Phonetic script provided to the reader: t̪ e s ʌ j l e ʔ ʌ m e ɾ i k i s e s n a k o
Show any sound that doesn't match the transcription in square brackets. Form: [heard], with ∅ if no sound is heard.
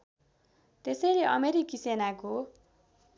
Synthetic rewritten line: t̪ e s ʌ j l e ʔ ʌ m e ɾ i k i s e [∅] n a k o